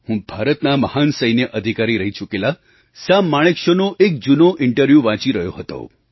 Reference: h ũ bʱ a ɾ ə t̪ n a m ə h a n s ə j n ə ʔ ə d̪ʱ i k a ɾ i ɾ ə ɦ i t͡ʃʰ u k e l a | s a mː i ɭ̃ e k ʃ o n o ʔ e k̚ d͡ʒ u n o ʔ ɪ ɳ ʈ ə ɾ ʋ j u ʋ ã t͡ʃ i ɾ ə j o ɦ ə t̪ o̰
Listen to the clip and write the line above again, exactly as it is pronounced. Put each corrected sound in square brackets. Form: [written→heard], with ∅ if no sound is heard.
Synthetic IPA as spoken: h ũ bʱ a ɾ ə t̪ n a m ə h a n s ə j n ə ʔ ə d̪ʱ i k a ɾ i ɾ ə ɦ i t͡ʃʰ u k e l a | s a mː [i→a] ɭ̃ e k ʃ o n o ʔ e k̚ d͡ʒ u n o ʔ ɪ ɳ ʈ ə ɾ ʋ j u ʋ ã t͡ʃ i ɾ ə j o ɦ ə t̪ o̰

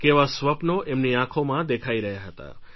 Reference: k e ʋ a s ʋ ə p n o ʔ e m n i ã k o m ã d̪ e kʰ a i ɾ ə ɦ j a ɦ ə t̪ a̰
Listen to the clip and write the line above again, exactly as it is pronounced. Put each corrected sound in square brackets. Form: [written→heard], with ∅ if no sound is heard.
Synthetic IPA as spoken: k e ʋ a s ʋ ə p n o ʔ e m n i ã [k→kʰ] o m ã d̪ e kʰ a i ɾ ə ɦ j a ɦ ə t̪ a̰

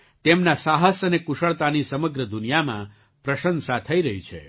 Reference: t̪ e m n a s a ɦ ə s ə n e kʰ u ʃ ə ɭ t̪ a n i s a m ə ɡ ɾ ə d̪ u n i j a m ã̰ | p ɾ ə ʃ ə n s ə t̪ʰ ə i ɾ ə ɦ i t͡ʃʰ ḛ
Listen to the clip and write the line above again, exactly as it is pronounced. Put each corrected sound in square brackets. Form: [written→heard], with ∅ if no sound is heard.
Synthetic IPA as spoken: t̪ e m n a s a ɦ ə s ə n e [kʰ→k] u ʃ ə ɭ t̪ a n i s [a→ə] m ə ɡ ɾ ə d̪ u n i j a m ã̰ | p ɾ ə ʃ ə n s [ə→a] t̪ʰ ə i ɾ ə ɦ i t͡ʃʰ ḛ

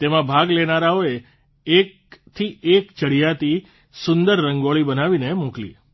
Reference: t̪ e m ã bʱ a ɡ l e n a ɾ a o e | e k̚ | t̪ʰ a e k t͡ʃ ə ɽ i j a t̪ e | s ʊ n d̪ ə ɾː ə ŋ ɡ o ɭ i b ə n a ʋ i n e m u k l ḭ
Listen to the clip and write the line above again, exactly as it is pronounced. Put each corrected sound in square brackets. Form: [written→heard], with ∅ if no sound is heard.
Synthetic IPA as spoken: t̪ e m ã bʱ a ɡ l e n a ɾ a o e | e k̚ | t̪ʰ [a→i] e k t͡ʃ ə ɽ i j a t̪ [e→i] | s ʊ n d̪ ə ɾː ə ŋ ɡ o ɭ i b ə n a ʋ i n e m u k l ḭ

